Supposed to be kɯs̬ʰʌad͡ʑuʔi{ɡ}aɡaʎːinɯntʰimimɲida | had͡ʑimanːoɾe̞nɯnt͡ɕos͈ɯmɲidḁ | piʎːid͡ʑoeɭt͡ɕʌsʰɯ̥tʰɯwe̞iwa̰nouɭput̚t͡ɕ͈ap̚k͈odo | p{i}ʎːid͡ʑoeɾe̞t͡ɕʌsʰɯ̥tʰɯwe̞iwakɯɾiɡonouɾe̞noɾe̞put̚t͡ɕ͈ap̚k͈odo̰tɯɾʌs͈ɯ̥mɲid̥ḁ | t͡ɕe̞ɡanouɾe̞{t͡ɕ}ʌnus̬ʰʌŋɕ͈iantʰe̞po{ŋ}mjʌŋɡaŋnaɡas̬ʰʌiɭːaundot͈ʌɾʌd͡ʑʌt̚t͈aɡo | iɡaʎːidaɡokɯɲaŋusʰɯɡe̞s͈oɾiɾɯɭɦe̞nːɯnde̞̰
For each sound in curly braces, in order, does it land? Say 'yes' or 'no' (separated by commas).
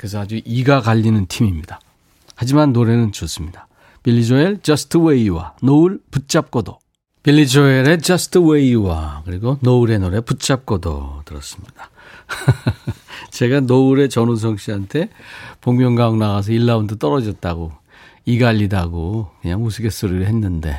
yes, yes, yes, yes